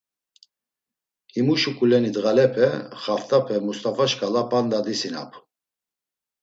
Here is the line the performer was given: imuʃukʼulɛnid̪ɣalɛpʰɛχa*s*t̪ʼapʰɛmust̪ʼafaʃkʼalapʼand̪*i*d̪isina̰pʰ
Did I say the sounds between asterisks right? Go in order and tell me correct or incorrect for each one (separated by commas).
incorrect, incorrect